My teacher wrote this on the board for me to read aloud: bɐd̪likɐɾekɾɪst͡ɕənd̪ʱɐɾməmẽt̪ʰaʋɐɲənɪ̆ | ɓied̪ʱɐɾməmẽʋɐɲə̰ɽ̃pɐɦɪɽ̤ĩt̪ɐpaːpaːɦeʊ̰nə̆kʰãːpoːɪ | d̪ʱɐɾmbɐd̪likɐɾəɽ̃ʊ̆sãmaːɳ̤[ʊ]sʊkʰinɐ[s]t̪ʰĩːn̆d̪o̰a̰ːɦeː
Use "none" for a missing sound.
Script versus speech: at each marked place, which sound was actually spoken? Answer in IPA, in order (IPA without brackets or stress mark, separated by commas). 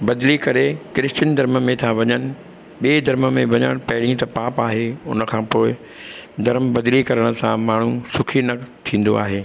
u, none